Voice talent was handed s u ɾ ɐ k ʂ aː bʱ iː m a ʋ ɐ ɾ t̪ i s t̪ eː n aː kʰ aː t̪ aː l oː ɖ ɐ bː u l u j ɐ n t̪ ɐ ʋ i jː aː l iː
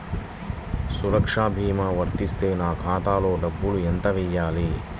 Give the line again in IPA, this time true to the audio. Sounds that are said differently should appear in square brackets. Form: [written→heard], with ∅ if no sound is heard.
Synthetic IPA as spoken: s u ɾ ɐ k ʂ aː bʱ iː m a ʋ ɐ ɾ t̪ i s t̪ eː n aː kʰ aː t̪ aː l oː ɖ ɐ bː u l u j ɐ n t̪ ɐ ʋ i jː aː l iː